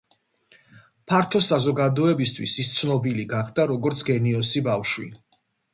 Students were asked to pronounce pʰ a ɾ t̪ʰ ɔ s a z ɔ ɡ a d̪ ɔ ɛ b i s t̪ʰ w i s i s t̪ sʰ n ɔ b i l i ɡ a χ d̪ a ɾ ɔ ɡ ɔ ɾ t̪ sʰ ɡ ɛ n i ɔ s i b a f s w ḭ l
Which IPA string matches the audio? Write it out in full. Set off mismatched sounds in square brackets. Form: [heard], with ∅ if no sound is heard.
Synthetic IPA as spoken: pʰ a ɾ t̪ʰ ɔ s a z ɔ ɡ a d̪ ɔ ɛ b i s t̪ʰ w i s i s t̪ sʰ n ɔ b i l i ɡ a χ d̪ a ɾ ɔ ɡ ɔ ɾ t̪ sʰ ɡ ɛ n i ɔ s i b a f [ʃ] w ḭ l